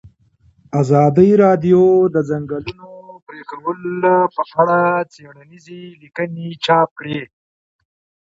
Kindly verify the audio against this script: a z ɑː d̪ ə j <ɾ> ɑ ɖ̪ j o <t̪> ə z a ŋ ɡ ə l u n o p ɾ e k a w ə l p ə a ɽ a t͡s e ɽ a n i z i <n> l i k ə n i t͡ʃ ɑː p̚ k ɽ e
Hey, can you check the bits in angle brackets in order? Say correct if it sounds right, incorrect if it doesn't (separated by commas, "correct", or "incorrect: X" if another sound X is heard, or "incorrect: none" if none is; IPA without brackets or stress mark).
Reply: correct, incorrect: d̪, incorrect: none